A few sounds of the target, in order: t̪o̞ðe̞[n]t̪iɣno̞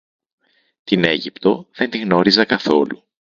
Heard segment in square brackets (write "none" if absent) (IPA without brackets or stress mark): n